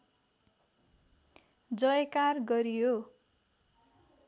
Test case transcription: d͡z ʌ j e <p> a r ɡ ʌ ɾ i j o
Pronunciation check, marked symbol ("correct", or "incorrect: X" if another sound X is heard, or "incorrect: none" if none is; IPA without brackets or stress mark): incorrect: k